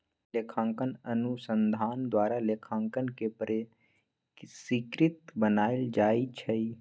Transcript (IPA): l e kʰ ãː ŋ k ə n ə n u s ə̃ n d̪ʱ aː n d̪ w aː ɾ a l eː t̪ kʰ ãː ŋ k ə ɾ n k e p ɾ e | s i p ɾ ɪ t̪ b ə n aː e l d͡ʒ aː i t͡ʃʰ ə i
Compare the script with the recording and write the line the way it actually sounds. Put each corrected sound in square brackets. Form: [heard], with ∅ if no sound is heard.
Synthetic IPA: l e kʰ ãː ŋ k ə n ə n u s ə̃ n d̪ʱ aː n d̪ w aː ɾ a l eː [∅] kʰ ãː ŋ k ə [∅] n k e p ɾ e | s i [k] ɾ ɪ t̪ b ə n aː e l d͡ʒ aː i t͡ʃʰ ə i

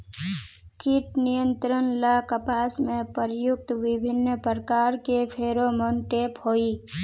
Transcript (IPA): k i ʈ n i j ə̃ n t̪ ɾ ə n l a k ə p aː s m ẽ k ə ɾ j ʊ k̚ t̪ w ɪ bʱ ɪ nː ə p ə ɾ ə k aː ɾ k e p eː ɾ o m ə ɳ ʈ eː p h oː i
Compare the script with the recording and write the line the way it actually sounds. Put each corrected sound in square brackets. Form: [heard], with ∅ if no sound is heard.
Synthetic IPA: k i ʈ n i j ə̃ n t̪ ɾ ə n l a k ə p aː s m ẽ [p] ə ɾ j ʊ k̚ t̪ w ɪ bʱ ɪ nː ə p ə ɾ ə k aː ɾ k e [pʰ] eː ɾ o m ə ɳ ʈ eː p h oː i

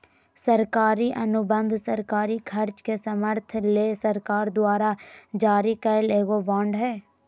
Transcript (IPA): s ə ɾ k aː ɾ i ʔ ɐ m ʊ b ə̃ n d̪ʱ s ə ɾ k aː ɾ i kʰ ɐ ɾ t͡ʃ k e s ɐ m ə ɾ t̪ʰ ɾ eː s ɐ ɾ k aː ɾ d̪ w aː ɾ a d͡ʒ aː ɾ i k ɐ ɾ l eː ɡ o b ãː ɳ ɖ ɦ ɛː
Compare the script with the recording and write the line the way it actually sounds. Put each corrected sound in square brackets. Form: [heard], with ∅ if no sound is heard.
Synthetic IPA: s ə ɾ k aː ɾ i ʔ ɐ [n] ʊ b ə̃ n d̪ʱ s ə ɾ k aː ɾ i kʰ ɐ ɾ t͡ʃ k e s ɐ m ə ɾ t̪ʰ [l] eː s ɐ ɾ k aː ɾ d̪ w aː ɾ a d͡ʒ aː ɾ i k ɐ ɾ l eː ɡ o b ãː ɳ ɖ ɦ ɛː

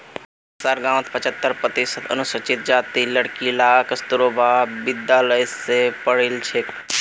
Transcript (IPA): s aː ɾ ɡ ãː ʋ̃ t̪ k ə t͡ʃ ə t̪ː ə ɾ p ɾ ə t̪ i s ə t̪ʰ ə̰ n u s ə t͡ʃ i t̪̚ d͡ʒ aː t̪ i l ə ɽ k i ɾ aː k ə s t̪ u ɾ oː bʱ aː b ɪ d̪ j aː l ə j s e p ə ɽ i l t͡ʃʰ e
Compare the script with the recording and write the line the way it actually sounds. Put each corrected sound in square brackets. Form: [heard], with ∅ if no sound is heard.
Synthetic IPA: s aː ɾ ɡ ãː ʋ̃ t̪ [p] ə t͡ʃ ə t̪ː ə ɾ p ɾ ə t̪ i s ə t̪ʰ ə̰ n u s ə t͡ʃ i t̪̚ d͡ʒ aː t̪ i l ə ɽ k i [l] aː k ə s t̪ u ɾ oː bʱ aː b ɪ d̪ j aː l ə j s e p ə ɽ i l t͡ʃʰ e

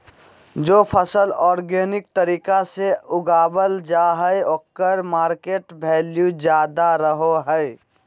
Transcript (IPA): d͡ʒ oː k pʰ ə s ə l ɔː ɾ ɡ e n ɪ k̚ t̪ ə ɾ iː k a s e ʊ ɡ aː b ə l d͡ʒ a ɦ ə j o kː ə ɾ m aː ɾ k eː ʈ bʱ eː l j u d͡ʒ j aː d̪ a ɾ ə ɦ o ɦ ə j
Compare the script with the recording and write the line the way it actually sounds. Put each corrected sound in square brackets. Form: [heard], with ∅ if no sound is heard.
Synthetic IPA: d͡ʒ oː [∅] pʰ ə s ə l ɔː ɾ ɡ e n ɪ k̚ t̪ ə ɾ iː k a s e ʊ ɡ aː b ə l d͡ʒ a ɦ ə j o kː ə ɾ m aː ɾ k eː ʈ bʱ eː l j u d͡ʒ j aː d̪ a ɾ ə ɦ o ɦ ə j

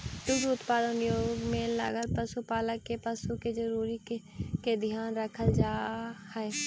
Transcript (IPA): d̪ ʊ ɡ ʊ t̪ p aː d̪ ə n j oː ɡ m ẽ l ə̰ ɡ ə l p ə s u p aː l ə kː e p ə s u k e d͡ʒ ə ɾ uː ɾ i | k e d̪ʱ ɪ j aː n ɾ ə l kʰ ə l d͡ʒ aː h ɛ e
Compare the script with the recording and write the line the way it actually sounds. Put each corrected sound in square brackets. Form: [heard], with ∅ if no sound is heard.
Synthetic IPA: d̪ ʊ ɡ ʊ t̪ p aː d̪ ə n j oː ɡ m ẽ l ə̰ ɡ ə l p ə s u p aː l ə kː e p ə s u k e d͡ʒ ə ɾ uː ɾ i | k e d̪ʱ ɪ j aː n ɾ ə [∅] kʰ ə l d͡ʒ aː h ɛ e

